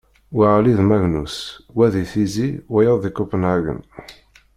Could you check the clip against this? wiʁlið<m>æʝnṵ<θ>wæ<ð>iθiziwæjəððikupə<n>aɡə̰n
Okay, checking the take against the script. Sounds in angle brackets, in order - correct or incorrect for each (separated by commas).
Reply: correct, incorrect, correct, correct